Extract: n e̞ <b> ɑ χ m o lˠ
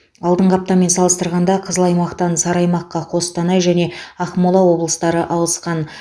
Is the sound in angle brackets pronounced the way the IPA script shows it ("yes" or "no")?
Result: no